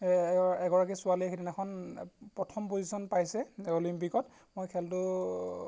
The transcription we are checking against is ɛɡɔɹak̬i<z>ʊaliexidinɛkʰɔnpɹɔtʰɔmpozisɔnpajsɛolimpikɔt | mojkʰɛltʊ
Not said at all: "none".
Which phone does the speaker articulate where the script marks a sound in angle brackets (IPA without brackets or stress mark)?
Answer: s